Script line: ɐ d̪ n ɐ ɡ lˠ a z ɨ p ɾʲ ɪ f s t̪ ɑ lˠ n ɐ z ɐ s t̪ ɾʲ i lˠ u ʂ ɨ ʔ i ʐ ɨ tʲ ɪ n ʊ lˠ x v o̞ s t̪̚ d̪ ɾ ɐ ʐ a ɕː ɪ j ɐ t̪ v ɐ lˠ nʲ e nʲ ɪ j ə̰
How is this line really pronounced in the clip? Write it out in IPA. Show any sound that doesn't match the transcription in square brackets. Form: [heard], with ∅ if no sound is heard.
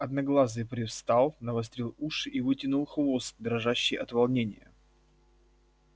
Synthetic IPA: ɐ d̪ n ɐ ɡ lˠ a z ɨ p ɾʲ ɪ f s t̪ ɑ lˠ n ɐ [v] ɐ s t̪ ɾʲ i lˠ u ʂ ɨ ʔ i [v] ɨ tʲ ɪ n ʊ lˠ x v o̞ s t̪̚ d̪ ɾ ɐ ʐ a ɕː ɪ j ɐ t̪ v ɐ lˠ nʲ e nʲ ɪ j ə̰